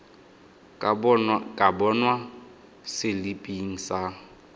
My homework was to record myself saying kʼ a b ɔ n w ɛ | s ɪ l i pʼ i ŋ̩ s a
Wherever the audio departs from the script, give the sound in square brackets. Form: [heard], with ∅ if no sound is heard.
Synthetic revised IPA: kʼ a b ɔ n w [a] | s ɪ l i pʼ i ŋ̩ s a